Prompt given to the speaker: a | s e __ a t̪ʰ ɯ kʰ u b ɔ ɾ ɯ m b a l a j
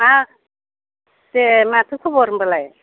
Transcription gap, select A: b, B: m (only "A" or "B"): B